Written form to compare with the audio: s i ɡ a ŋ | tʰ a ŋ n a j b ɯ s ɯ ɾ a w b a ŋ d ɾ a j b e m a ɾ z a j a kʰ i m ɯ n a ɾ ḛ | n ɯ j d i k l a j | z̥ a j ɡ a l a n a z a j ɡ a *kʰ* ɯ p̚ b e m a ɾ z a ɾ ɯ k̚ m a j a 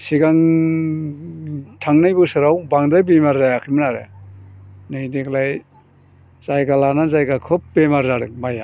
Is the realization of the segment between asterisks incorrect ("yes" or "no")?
no